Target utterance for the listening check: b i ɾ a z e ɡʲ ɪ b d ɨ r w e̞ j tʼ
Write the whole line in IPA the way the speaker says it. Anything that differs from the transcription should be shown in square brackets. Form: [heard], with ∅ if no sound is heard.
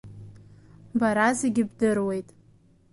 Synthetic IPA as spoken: b [a] ɾ a z e ɡʲ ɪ b d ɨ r w e̞ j tʼ